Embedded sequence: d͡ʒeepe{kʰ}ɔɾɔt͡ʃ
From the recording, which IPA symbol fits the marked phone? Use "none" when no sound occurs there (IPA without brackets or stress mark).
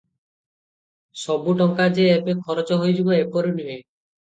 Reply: kʰ